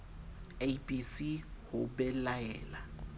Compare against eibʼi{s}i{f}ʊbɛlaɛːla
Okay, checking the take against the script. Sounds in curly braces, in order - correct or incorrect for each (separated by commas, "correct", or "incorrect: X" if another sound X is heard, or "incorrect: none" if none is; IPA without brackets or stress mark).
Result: correct, incorrect: h